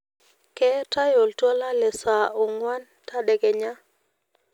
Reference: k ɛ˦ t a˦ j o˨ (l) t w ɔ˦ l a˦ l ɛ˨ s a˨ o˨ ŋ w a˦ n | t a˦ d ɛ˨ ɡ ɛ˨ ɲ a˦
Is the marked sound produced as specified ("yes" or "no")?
yes